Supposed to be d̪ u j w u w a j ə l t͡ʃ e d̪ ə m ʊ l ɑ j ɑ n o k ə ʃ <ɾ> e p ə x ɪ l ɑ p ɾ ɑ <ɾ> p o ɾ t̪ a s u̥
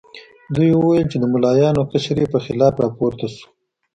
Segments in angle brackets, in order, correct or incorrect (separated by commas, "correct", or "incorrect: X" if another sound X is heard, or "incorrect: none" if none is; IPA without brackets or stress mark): correct, incorrect: none